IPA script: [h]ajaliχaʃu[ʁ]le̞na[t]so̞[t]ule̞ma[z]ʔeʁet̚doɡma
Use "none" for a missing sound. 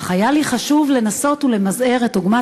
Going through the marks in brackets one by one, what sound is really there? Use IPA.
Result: χ, v, none, t, z

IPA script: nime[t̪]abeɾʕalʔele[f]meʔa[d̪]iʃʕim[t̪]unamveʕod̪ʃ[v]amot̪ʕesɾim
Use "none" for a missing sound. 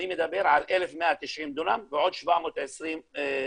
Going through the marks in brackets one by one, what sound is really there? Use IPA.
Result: d̪, f, t̪, d̪, v

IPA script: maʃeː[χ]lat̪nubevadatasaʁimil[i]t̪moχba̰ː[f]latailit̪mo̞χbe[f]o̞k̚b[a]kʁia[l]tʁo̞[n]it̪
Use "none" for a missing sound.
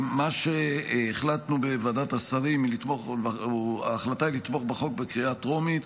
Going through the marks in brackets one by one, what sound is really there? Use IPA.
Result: χ, i, χ, χ, e, none, m

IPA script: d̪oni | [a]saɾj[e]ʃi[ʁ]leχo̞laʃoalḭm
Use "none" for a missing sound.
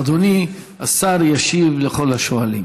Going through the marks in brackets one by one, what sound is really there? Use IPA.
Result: a, a, v

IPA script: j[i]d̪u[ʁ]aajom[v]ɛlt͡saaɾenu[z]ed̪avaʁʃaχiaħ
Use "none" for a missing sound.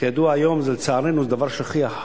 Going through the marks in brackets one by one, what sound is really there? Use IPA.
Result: a, none, z, z

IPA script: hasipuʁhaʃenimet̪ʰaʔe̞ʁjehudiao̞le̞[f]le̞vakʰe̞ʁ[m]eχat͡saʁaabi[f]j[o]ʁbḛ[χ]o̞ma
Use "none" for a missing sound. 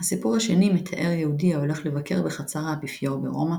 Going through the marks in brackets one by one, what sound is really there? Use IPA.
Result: χ, b, f, o, ʁ

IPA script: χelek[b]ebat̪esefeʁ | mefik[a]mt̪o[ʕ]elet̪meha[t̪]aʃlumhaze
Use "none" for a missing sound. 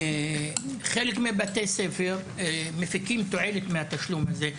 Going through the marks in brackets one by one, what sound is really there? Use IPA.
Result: m, i, ʕ, t̪

